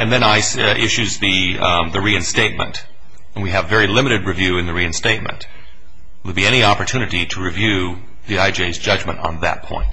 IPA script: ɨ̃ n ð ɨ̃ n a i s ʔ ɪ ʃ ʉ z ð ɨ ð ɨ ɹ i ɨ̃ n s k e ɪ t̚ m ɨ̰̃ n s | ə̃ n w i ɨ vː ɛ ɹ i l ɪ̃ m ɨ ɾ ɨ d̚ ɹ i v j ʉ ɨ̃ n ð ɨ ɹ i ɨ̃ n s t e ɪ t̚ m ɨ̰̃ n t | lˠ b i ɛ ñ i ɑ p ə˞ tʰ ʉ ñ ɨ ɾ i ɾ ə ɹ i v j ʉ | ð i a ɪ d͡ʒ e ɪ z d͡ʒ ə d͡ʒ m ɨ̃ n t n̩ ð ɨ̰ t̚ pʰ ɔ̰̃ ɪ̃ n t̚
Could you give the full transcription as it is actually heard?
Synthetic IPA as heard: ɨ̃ n ð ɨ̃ n a ɪ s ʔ ɪ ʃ ʉ z ð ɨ ð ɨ ɹ i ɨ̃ n s t e ɪ t̚ m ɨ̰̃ n t | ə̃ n w i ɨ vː ɛ ɹ i l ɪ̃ m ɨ ɾ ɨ d̚ ɹ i v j ʉ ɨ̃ n ð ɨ ɹ i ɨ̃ n s t e ɪ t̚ m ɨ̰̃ n t | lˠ b i ɛ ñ i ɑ p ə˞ tʰ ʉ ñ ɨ ɾ i ɾ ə ɹ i v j ʉ | ð i a ɪ d͡ʒ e ɪ z d͡ʒ ʌ d͡ʒ m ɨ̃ n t n̩ ð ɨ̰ t̚ pʰ ɔ̰̃ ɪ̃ n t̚